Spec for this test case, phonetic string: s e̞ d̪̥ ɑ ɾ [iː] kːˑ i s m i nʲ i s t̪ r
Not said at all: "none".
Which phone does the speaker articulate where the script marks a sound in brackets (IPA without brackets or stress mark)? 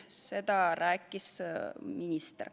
æː